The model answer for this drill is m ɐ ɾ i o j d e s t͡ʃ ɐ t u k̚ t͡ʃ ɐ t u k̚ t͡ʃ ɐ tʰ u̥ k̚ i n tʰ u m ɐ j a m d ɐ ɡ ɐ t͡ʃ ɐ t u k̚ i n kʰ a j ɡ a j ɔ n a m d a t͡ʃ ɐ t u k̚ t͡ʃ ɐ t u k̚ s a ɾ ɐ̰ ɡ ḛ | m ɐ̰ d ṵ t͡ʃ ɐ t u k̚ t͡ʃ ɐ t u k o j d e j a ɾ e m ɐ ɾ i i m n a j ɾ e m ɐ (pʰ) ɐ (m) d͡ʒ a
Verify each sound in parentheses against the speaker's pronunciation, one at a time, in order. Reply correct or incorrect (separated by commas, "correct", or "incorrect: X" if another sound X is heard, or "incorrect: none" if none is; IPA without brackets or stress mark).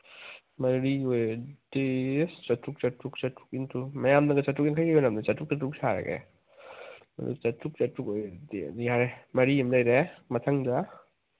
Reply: incorrect: tʰ, incorrect: ŋ